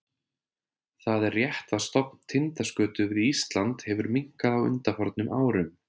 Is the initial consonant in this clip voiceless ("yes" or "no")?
yes